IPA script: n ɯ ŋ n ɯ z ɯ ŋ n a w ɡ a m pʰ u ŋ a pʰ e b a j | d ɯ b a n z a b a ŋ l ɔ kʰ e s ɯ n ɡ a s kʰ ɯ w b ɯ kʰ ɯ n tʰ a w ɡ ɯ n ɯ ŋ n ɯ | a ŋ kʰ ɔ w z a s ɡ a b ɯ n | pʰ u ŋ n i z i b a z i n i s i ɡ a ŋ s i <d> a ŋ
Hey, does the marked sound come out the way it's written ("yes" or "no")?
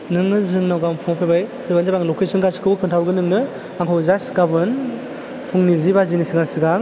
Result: no